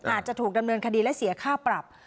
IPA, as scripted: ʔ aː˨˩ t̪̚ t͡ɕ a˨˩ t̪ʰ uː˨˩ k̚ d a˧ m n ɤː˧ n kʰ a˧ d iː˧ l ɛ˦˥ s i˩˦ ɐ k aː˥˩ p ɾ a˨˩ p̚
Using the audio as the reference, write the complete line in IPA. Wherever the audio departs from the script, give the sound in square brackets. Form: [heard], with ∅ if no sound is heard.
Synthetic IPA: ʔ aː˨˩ t̪̚ t͡ɕ a˨˩ t̪ʰ uː˨˩ k̚ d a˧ m n ɤː˧ n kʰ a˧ d iː˧ l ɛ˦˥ s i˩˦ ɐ [kʰ] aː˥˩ p ɾ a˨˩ p̚